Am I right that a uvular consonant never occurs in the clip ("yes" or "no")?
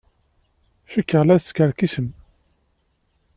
no